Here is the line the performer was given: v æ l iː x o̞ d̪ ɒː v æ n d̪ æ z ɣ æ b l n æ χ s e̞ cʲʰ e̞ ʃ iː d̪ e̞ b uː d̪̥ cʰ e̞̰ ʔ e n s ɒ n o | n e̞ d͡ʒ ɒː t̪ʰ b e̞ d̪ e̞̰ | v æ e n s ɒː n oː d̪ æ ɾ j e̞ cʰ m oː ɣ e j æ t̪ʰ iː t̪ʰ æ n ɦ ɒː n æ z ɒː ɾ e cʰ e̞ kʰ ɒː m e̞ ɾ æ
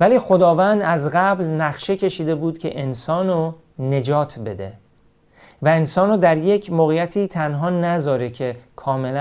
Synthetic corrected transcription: v æ l iː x o̞ d̪ ɒː v æ n d̪ æ z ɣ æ b l n æ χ ʃ e̞ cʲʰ e̞ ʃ iː d̪ e̞ b uː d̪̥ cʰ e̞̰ ʔ e n s ɒː n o | n e̞ d͡ʒ ɒː t̪ʰ b e̞ d̪ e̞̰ | v æ e n s ɒː n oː d̪ æ ɾ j e̞ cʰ m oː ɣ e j æ t̪ʰ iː t̪ʰ æ n ɦ ɒː n æ z ɒː ɾ e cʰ e̞ kʰ ɒː m e̞ l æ